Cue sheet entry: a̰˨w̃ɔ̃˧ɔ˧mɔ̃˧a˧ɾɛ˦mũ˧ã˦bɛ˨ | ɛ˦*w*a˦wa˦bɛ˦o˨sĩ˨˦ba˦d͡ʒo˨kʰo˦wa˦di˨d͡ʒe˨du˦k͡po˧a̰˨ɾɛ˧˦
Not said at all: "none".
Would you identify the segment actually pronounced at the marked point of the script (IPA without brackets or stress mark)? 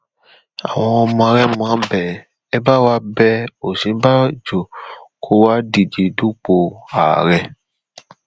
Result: b